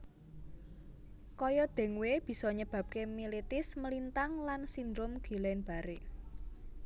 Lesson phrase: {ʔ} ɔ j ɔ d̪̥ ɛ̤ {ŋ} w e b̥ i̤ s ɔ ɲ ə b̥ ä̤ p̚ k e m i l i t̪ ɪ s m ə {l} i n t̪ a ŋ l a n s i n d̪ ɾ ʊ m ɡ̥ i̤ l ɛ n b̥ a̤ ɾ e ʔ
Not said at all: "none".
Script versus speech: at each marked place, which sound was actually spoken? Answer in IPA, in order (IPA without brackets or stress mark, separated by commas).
k, ŋ, l